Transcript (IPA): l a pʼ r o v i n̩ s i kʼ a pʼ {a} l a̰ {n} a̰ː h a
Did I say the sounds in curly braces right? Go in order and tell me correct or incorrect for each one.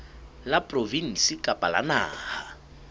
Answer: correct, correct

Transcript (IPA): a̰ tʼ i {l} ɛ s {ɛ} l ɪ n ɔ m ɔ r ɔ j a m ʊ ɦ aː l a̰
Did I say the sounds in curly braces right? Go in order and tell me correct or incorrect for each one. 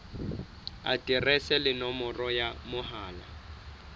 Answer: incorrect, correct

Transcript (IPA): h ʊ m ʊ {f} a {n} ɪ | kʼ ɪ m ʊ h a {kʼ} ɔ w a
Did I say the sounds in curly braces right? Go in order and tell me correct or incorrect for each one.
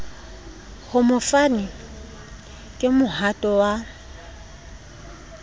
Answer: correct, correct, incorrect

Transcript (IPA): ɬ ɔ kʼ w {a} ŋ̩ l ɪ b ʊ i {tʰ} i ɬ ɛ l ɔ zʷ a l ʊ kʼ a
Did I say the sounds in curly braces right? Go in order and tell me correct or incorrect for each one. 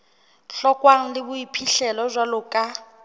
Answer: correct, incorrect

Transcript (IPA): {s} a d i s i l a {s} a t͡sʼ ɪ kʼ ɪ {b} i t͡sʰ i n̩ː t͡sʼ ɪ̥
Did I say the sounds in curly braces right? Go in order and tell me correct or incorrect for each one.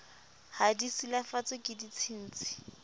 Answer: incorrect, incorrect, incorrect

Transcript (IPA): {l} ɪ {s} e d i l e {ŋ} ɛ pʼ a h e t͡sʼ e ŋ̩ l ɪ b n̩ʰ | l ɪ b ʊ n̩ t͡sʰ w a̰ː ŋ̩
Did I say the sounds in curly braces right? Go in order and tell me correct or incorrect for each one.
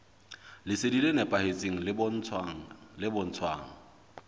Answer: correct, correct, incorrect

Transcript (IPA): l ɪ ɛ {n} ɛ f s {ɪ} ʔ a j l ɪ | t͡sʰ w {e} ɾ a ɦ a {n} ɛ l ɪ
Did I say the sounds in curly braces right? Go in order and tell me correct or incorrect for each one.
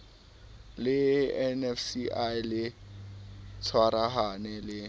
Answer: correct, incorrect, incorrect, correct

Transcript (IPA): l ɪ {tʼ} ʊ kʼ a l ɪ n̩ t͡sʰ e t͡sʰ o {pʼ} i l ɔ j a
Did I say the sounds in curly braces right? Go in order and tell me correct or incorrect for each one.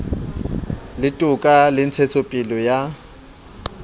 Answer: correct, correct

